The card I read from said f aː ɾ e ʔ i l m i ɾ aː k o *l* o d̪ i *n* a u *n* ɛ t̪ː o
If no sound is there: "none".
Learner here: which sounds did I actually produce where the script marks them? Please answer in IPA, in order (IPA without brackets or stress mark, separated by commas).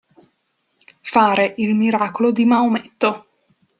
l, m, m